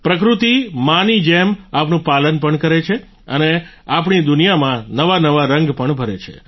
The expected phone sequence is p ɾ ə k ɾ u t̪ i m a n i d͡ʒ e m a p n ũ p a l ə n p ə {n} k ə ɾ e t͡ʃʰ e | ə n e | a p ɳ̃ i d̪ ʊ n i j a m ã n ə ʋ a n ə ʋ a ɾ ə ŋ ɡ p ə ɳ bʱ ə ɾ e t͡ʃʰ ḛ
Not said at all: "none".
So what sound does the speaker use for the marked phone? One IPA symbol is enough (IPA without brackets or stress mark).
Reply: ɳ